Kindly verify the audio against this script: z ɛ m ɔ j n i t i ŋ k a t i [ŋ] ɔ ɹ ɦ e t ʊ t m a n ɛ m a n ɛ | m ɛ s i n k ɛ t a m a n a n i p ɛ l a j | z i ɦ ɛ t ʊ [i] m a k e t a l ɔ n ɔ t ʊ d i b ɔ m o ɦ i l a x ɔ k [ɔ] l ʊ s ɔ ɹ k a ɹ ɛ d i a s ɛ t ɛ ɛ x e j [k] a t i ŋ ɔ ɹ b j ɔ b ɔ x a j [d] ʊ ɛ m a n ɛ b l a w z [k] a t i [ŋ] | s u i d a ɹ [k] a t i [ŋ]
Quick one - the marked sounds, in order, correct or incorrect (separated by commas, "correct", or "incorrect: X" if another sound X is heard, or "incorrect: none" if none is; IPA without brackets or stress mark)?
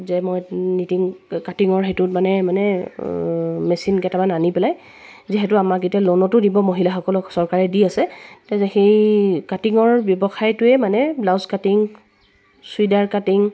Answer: correct, incorrect: a, correct, correct, incorrect: t, correct, correct, correct, correct